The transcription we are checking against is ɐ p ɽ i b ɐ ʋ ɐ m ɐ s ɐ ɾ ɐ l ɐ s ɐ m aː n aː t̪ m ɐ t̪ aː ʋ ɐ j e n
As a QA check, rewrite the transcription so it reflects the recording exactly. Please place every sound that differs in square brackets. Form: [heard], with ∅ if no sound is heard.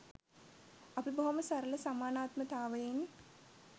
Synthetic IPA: ɐ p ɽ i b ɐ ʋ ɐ m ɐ s ɐ ɾ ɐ l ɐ s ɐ m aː n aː t̪ m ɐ t̪ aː ʋ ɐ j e n